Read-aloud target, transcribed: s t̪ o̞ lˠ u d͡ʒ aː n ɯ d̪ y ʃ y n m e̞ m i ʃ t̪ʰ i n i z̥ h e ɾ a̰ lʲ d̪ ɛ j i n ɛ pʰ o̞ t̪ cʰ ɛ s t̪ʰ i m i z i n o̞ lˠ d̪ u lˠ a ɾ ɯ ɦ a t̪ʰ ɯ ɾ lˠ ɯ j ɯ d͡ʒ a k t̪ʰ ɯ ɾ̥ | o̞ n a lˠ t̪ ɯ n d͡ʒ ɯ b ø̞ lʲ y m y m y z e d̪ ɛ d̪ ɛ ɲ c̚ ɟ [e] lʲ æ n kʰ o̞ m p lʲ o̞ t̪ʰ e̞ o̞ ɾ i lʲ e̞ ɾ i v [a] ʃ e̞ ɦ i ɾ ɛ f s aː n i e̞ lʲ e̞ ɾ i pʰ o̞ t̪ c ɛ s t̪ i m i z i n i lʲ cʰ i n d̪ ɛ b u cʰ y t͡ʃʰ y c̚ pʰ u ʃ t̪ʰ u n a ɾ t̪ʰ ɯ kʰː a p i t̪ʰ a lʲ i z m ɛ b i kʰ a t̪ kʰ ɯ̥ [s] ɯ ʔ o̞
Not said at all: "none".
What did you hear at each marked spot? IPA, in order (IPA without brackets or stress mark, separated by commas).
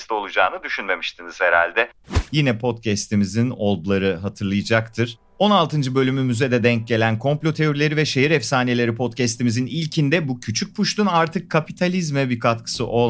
e, ɛ, s